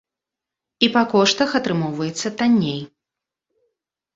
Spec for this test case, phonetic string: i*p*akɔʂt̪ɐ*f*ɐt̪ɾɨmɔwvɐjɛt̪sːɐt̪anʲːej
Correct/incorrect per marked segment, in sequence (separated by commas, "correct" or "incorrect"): correct, incorrect